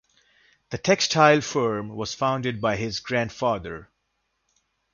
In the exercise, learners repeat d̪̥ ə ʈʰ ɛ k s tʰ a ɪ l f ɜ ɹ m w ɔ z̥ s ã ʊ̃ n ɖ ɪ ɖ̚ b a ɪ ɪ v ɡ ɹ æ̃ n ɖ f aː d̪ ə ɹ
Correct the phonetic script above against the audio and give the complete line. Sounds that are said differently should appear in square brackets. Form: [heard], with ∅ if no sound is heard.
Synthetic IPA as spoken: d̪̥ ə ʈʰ ɛ k s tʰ a ɪ l f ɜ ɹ m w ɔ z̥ [f] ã ʊ̃ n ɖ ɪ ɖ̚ b a ɪ ɪ [z] ɡ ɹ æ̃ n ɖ f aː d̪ ə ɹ